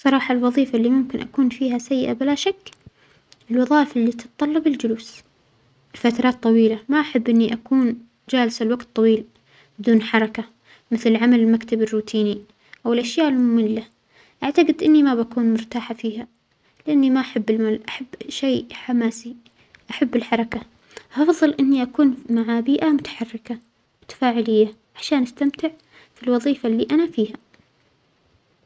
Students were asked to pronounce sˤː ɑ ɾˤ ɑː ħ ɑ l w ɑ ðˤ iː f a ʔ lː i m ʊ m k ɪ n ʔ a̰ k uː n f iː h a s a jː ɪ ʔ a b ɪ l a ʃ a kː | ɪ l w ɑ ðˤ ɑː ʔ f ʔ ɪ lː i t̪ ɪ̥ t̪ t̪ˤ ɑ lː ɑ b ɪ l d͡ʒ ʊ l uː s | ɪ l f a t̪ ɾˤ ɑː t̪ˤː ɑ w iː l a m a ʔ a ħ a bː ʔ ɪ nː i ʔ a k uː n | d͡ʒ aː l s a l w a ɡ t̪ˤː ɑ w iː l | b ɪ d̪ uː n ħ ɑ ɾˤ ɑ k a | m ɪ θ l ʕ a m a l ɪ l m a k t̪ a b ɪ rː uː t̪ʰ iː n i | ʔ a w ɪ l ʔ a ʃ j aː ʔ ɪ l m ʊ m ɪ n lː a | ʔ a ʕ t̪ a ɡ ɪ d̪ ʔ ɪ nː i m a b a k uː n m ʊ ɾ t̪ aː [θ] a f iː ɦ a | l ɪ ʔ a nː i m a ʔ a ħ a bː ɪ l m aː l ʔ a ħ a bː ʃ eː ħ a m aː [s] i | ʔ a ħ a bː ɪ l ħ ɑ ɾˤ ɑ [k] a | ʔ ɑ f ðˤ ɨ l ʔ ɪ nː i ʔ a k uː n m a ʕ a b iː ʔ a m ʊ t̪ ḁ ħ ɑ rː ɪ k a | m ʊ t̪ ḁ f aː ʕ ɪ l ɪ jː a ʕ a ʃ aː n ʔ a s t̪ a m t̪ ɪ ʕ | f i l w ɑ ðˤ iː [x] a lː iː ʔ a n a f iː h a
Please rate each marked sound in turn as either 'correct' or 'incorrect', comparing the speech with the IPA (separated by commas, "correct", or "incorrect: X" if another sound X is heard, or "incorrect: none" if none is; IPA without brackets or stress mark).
incorrect: ħ, correct, correct, incorrect: f